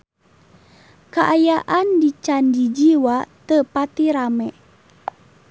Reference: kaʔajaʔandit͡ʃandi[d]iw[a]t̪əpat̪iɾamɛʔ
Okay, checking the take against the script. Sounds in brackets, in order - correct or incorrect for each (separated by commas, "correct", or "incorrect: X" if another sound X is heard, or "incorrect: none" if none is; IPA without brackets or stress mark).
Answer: incorrect: d͡ʒ, correct